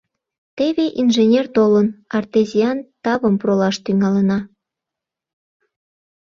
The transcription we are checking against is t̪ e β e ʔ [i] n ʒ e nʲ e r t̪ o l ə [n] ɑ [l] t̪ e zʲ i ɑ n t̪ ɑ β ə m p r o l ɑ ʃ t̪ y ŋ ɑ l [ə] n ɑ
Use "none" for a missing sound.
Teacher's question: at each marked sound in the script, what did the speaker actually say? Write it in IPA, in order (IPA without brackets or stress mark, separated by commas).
i, n, r, ə